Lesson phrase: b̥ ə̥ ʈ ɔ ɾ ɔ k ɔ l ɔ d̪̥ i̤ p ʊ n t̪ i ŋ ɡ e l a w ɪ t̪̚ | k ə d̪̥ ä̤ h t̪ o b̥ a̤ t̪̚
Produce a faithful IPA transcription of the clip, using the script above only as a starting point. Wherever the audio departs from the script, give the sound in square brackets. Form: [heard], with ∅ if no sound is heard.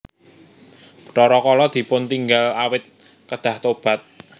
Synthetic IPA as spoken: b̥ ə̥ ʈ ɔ ɾ ɔ k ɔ l ɔ d̪̥ i̤ p ʊ n t̪ i ŋ ɡ [a] l a w ɪ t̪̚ | k ə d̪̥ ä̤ h t̪ o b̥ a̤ t̪̚